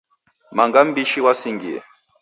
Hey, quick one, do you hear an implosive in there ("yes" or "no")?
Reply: no